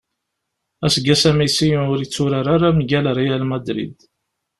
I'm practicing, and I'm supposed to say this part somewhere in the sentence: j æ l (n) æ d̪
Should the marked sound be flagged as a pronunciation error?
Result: yes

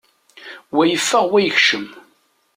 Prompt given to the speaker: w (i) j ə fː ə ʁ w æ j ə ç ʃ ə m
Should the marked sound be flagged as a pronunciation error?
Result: yes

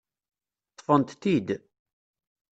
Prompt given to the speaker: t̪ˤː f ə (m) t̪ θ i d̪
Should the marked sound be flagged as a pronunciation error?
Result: yes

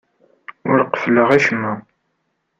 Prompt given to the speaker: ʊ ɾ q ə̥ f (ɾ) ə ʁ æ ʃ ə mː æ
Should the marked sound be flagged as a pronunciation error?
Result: yes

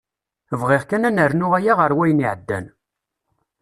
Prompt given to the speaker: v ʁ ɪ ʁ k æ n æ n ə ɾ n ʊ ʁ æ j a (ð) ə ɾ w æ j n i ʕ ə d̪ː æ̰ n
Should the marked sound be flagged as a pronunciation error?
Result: yes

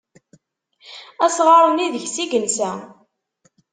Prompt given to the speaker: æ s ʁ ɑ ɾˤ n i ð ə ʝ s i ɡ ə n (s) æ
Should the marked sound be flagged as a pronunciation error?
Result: no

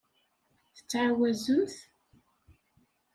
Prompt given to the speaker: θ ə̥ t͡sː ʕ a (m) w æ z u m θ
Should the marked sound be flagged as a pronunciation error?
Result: yes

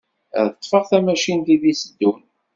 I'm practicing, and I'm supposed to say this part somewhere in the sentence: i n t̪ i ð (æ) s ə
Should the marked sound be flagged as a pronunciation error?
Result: yes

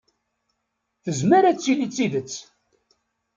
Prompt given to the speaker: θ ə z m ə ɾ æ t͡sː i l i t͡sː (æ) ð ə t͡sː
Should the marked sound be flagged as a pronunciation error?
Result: yes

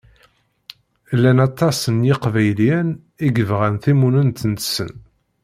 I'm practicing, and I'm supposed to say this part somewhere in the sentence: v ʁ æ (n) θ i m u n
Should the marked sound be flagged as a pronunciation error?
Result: no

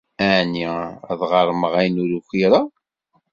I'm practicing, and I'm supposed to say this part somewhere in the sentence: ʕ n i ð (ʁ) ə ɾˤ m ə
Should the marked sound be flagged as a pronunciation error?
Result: no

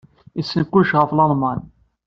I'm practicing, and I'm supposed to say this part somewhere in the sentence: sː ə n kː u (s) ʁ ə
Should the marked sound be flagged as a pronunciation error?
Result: yes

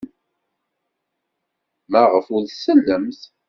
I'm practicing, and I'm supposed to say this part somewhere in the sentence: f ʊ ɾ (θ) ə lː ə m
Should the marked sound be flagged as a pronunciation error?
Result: yes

